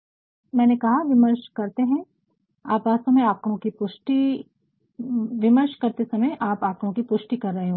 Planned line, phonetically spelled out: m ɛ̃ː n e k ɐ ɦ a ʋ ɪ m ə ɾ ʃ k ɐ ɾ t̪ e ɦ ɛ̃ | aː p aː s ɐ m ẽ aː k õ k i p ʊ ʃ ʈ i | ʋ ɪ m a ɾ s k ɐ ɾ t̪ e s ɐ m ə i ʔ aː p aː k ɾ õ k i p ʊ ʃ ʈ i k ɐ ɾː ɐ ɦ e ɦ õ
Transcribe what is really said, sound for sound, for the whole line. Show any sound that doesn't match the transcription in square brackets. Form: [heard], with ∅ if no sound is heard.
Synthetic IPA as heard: m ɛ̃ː n e k ɐ ɦ a ʋ ɪ m ə ɾ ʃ k ɐ ɾ t̪ e ɦ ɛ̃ | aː p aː s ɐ m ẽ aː k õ k i p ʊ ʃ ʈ i | ʋ ɪ m [ə] ɾ [ʃ] k ɐ ɾ t̪ e s ɐ m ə [j] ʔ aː p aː k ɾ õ k i p ʊ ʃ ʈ i k ɐ ɾː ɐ ɦ e ɦ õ